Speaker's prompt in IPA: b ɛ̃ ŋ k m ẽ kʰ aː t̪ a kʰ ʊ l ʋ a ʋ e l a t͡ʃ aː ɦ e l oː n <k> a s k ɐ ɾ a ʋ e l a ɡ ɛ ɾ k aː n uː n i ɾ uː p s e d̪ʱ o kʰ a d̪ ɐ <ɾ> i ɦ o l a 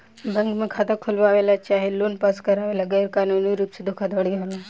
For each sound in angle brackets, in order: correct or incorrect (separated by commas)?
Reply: incorrect, incorrect